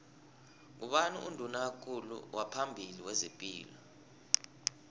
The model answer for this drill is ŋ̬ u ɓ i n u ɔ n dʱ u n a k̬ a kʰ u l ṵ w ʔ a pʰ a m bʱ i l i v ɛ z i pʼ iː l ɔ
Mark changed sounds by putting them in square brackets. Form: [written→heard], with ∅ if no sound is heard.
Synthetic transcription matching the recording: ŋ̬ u ɓ [i→a] n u [ɔ→u] n dʱ u n a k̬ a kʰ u l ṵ w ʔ a pʰ a m bʱ i l i [v→w] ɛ z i pʼ iː l ɔ